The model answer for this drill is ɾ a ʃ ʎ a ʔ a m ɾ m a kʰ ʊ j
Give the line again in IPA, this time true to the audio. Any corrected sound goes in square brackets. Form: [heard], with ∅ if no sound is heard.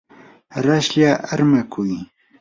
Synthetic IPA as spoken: ɾ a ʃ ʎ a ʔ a [∅] ɾ m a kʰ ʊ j